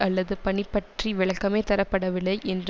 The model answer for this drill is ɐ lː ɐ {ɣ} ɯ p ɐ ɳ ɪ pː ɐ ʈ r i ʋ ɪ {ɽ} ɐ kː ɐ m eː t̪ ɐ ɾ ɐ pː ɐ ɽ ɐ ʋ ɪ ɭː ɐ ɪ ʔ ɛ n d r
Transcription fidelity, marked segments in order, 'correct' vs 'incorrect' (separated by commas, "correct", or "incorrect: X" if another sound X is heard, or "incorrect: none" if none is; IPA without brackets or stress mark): incorrect: ð, incorrect: ɭ